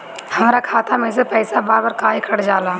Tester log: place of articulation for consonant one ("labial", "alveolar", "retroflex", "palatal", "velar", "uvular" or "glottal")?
glottal